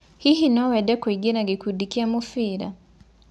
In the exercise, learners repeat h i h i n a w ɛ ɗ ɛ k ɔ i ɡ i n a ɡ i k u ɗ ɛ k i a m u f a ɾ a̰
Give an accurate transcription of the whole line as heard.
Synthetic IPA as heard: h i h i n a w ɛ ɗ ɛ k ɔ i ɡ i n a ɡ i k u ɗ i k i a m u f i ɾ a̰